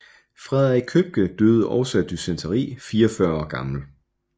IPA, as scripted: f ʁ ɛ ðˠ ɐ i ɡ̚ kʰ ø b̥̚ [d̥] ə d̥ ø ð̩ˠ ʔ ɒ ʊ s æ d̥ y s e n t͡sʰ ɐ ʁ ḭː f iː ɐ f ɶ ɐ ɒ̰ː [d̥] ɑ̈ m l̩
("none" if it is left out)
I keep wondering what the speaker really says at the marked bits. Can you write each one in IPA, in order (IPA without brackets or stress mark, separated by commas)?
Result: ɡ̥, ɡ̥